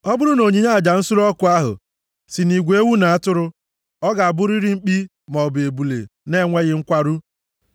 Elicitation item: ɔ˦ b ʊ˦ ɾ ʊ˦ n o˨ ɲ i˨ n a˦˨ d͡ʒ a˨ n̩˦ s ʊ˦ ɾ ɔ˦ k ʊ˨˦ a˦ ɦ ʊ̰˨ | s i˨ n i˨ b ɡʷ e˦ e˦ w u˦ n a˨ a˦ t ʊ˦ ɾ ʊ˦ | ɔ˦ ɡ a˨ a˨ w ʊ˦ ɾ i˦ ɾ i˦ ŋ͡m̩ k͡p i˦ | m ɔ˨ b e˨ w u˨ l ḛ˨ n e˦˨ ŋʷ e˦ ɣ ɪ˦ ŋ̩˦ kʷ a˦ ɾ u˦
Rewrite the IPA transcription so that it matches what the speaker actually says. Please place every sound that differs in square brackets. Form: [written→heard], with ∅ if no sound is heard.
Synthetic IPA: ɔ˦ b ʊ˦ ɾ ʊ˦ n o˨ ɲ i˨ [n→ɲ] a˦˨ d͡ʒ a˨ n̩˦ s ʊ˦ ɾ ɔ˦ k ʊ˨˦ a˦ ɦ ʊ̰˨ | s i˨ n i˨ [b→∅] ɡʷ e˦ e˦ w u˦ n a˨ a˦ t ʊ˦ ɾ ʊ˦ | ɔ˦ ɡ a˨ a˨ [w→b] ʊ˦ ɾ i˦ ɾ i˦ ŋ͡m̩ k͡p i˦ | m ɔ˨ b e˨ [w→b] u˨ l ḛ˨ n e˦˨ ŋʷ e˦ ɣ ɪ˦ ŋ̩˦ kʷ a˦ ɾ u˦